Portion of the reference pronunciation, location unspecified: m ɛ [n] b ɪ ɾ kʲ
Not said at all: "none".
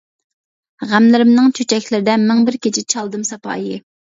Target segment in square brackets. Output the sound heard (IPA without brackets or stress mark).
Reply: ŋ